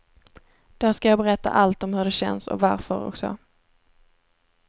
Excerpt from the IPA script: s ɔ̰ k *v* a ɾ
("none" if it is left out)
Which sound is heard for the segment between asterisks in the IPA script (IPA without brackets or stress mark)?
v